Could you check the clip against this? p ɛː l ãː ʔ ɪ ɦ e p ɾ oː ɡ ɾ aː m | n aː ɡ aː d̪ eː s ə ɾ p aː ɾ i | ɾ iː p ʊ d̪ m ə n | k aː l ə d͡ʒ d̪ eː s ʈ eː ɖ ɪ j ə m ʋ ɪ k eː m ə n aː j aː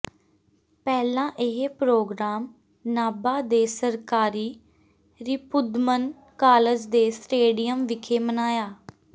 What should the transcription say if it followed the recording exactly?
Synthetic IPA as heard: p ɛː l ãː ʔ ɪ ɦ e p ɾ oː ɡ ɾ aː m | n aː b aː d̪ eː s ə ɾ k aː ɾ iː | ɾ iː p ʊ d̪ m ə n | k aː l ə d͡ʒ d̪ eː s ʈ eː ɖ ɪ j ə m ʋ ɪ kʰ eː m ə n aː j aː